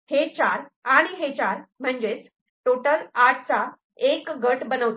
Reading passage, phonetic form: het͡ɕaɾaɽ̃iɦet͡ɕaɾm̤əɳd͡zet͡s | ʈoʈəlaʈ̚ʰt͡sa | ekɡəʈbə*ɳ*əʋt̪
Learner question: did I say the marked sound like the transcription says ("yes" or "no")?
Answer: no